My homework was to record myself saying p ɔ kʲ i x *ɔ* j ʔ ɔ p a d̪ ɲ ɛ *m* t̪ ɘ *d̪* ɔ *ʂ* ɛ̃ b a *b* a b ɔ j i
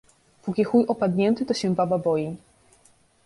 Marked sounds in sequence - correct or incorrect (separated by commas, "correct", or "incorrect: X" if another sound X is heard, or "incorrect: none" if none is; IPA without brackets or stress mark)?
incorrect: u, incorrect: n, incorrect: t̪, incorrect: ɕ, correct